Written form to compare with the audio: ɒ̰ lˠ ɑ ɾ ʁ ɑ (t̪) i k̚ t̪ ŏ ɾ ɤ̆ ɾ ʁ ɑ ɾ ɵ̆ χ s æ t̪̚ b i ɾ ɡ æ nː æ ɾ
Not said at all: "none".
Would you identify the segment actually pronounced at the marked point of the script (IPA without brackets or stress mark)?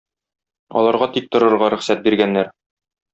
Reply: t̪